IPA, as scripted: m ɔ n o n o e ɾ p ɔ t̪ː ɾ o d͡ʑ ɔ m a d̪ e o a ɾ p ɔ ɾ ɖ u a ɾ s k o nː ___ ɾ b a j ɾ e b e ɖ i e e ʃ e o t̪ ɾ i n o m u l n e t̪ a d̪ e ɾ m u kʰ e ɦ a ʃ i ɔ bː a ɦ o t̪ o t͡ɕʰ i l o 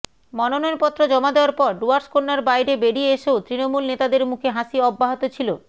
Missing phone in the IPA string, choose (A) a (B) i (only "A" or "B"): A